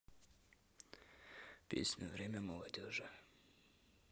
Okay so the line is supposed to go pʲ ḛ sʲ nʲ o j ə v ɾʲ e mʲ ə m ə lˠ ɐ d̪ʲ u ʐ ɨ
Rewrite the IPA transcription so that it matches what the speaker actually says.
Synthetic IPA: pʲ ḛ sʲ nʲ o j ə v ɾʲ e mʲ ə m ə lˠ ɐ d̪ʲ o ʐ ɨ

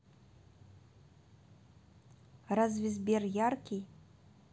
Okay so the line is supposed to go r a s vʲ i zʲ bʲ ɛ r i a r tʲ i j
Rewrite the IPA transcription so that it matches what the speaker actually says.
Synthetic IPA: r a z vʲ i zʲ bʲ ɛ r j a r kʲ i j

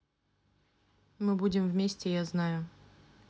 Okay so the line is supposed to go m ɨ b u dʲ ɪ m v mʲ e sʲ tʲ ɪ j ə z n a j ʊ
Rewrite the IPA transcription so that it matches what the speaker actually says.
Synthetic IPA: m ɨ b u dʲ ɪ m v mʲ e sʲ tʲ ɪ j a z n a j ʊ

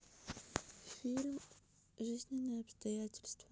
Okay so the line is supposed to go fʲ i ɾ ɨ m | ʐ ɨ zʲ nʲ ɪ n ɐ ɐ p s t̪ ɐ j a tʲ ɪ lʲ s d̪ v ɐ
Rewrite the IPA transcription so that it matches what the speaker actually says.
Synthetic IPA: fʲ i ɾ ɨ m | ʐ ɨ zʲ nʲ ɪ n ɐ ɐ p s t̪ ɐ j a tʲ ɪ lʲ s t̪ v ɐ

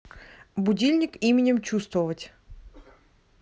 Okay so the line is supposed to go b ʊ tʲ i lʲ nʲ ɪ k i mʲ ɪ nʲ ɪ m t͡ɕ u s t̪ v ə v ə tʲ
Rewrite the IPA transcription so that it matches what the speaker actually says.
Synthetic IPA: b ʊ dʲ i lʲ nʲ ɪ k i mʲ ɪ nʲ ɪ m t͡ɕ u s t̪ v ə v ə tʲ

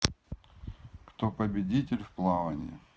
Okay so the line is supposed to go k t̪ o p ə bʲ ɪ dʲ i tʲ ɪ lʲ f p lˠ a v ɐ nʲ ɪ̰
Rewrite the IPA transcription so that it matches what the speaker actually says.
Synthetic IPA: k t̪ o p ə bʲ ɪ dʲ i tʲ ɪ lʲ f p lˠ a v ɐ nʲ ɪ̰

